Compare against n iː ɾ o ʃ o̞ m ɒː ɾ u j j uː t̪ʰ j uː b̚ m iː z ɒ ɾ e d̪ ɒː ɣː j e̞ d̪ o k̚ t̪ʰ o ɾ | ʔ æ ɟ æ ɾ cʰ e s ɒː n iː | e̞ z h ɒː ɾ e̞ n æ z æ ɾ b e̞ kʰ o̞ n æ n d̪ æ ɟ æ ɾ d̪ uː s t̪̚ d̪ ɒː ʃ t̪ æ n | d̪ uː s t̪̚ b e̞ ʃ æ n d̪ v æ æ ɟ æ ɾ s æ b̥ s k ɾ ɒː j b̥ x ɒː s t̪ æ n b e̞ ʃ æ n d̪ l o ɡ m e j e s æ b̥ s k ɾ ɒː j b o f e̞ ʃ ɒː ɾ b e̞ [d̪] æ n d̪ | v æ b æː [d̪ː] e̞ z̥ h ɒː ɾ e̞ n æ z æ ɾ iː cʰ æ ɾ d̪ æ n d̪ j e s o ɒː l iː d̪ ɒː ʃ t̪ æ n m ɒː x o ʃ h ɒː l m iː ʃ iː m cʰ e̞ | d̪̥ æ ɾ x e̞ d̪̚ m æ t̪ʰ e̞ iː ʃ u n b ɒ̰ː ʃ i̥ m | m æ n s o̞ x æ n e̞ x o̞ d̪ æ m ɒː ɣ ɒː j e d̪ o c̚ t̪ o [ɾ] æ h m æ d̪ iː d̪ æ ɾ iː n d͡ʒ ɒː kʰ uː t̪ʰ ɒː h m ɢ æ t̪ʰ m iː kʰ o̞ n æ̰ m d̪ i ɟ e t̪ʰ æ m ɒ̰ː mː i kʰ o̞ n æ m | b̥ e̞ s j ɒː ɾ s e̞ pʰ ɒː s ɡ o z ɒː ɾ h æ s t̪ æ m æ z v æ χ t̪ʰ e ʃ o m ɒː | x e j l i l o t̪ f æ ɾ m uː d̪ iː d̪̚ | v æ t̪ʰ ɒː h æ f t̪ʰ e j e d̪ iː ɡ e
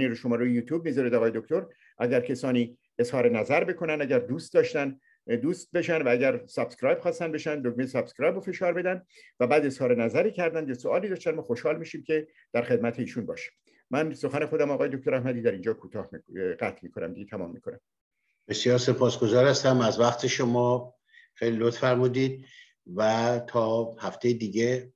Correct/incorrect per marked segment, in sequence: correct, incorrect: d̪, correct

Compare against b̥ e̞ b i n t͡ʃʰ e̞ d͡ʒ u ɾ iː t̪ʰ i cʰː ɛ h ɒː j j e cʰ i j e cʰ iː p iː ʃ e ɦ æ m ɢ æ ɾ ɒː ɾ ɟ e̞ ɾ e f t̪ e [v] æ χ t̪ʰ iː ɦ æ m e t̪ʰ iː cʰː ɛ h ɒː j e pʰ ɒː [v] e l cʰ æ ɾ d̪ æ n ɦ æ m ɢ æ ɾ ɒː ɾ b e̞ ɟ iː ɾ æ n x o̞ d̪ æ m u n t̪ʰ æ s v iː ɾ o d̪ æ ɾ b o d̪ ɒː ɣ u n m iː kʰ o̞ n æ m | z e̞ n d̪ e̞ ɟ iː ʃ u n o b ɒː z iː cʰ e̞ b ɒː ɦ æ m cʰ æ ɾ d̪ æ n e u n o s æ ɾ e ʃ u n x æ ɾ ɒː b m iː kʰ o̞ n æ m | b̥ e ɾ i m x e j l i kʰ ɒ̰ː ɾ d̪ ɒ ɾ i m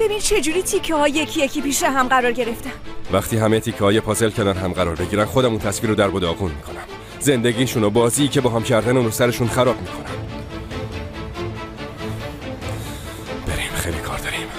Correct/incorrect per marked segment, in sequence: correct, incorrect: z

